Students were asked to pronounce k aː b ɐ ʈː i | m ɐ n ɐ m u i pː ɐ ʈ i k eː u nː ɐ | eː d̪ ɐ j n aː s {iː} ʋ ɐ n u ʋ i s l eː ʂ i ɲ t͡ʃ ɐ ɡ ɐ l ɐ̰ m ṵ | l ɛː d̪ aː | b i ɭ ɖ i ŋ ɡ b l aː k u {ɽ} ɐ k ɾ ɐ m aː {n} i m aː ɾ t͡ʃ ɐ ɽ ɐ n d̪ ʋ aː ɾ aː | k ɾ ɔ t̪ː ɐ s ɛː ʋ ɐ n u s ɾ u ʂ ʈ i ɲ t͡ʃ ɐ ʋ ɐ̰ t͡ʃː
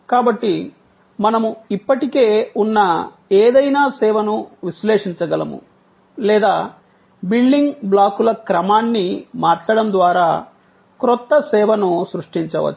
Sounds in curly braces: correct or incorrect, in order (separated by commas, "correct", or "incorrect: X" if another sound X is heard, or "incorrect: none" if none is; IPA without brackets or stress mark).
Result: incorrect: ɛː, incorrect: l, incorrect: nː